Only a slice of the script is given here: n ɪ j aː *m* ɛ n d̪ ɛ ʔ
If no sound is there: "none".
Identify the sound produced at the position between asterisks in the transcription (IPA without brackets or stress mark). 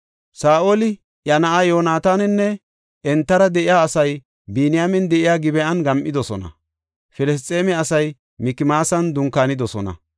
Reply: m